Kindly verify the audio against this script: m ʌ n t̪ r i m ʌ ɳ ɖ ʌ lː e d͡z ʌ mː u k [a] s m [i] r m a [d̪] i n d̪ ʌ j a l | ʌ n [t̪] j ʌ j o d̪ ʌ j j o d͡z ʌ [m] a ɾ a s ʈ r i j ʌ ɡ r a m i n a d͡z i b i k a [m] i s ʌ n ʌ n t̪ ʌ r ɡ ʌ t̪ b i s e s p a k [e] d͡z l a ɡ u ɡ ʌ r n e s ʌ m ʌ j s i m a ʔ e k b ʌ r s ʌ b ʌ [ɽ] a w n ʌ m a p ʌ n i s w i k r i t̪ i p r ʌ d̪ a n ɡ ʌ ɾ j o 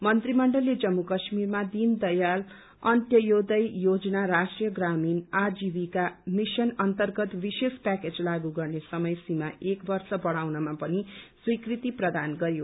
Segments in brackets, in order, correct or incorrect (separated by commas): incorrect, correct, correct, correct, incorrect, correct, correct, correct